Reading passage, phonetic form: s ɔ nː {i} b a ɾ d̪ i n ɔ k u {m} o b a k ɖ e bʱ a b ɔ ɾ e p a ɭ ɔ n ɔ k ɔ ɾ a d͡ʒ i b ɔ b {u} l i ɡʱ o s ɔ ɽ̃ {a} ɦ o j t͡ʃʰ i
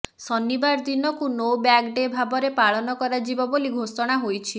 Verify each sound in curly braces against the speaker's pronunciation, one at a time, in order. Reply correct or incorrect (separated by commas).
correct, incorrect, incorrect, correct